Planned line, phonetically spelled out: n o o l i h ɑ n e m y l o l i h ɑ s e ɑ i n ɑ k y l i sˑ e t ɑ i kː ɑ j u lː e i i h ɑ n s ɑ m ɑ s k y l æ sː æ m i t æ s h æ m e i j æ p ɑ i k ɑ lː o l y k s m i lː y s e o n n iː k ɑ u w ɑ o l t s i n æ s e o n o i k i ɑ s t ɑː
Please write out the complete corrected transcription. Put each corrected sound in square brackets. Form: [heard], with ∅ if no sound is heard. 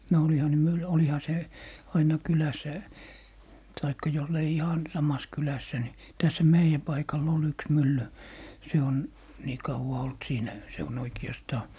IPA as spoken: n o o l i h ɑ n e m y l o l i h ɑ s e ɑ i n ɑ k y l [æ] sˑ [æ] t ɑ i kː ɑ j [o] lː e i i h ɑ n s ɑ m ɑ s k y l æ sː æ [n] i t æ s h æ m e i j æ p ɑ i k ɑ lː o l y k s m [y] lː y s e o n n iː k ɑ u w ɑ o l t s [iː] n æ s e o n o i k i ɑ s t ɑː